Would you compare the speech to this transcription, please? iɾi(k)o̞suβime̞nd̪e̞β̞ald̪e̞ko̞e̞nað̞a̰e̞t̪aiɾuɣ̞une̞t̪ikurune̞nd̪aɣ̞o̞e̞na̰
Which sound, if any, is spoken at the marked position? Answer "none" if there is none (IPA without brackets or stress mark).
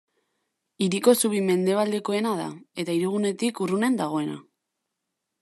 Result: k